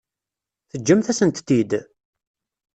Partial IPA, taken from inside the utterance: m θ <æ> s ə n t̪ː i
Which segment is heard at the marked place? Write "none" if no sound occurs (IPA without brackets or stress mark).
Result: æ